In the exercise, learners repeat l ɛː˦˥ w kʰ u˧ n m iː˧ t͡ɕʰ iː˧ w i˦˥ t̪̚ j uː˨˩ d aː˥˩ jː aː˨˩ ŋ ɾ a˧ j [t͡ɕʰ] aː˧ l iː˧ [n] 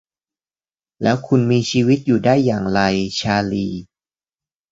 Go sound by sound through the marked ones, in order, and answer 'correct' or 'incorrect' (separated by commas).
correct, incorrect